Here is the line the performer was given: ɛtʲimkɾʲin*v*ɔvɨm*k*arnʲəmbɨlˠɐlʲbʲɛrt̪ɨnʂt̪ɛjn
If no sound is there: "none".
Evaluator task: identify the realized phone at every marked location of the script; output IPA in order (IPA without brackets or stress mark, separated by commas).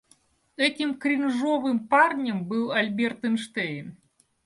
ʐ, p